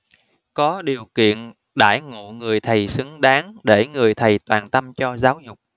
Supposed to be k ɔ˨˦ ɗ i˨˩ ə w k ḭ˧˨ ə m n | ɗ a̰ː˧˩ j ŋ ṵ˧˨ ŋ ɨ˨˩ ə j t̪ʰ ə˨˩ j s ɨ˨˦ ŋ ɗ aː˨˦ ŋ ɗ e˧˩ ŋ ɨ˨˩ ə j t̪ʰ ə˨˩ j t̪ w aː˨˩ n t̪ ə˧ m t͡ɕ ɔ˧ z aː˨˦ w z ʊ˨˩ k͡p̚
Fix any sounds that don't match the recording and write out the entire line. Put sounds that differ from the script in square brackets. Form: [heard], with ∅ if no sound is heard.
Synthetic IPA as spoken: k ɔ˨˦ ɗ i˨˩ ə w k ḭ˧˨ ə [∅] n | ɗ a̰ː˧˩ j ŋ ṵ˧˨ ŋ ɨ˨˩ ə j t̪ʰ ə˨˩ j s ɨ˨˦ ŋ ɗ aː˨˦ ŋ ɗ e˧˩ ŋ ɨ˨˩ ə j t̪ʰ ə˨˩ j t̪ w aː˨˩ n t̪ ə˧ m t͡ɕ ɔ˧ z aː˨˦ w z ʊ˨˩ k͡p̚